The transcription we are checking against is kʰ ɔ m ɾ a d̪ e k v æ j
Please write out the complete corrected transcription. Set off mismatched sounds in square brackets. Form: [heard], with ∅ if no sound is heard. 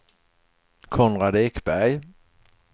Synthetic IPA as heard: kʰ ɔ [n] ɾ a d̪ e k [b] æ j